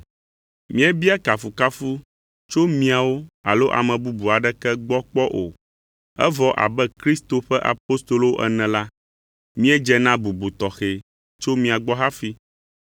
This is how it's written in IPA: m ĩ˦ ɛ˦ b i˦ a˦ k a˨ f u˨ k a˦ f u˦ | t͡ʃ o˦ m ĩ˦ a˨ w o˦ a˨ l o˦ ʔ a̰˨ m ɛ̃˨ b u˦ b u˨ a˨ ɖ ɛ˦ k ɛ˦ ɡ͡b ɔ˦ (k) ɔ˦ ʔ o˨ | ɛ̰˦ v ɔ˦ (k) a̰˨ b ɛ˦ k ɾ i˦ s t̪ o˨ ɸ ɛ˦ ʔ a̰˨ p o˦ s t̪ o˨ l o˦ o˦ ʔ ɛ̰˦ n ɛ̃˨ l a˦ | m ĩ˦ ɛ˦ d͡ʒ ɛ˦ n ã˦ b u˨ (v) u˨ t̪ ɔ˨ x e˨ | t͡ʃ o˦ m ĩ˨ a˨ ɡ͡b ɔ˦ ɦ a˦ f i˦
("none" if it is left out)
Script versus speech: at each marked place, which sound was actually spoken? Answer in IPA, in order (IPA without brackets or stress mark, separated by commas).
k͡p, ʔ, b